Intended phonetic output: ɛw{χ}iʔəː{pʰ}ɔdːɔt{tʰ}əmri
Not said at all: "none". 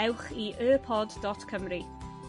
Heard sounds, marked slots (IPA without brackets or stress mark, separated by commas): χ, pʰ, kʰ